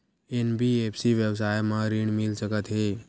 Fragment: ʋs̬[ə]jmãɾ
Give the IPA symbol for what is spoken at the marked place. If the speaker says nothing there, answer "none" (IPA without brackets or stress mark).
a